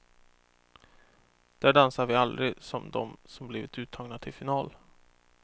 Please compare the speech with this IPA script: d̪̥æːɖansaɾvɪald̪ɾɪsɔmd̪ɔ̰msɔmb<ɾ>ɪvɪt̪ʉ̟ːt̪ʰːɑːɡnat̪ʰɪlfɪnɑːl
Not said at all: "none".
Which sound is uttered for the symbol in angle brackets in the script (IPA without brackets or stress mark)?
l